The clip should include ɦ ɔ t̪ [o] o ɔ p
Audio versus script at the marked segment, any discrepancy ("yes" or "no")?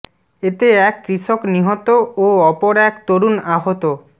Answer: no